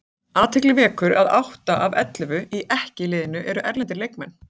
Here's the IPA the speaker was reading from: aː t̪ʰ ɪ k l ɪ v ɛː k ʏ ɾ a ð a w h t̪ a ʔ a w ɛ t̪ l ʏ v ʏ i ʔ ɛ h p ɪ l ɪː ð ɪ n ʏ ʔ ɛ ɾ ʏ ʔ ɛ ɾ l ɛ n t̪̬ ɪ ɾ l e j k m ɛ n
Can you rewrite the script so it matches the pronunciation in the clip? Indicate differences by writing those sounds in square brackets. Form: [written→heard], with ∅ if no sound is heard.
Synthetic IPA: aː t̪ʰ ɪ k l ɪ v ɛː k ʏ ɾ a ð a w h t̪ a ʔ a [w→v] ɛ t̪ l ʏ v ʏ i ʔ ɛ h [p→c] ɪ l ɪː ð ɪ n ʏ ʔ ɛ ɾ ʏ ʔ ɛ ɾ l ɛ n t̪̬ ɪ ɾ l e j k m ɛ n